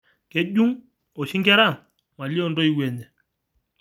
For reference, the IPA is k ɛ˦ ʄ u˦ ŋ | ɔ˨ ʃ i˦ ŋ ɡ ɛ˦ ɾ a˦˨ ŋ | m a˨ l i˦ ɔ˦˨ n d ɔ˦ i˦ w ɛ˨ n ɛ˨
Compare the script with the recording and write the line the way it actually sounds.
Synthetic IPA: k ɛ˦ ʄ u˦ ŋ | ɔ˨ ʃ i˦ ŋ ɡ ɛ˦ ɾ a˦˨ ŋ | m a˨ l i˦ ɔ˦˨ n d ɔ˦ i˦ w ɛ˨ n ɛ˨